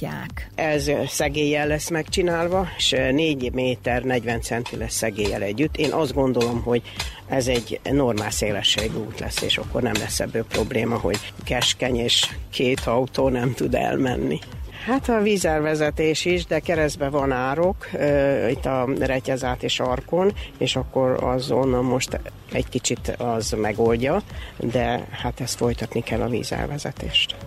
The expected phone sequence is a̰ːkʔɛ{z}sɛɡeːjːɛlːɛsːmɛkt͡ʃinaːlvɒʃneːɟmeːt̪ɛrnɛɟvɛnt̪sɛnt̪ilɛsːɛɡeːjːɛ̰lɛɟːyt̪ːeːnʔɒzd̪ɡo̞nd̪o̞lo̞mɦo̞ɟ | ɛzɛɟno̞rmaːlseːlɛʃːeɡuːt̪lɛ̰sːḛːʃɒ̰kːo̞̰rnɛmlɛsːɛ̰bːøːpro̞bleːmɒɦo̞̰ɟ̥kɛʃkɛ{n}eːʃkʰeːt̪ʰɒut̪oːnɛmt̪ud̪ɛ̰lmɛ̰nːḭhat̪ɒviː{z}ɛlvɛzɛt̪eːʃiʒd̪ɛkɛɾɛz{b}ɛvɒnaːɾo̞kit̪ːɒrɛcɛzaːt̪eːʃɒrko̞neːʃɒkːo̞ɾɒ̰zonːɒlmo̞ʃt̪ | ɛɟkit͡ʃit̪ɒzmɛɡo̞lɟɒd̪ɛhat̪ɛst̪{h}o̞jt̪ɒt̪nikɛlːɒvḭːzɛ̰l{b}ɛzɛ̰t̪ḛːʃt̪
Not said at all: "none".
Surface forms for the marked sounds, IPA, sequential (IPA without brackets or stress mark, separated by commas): z, ɲ, z, b, f, v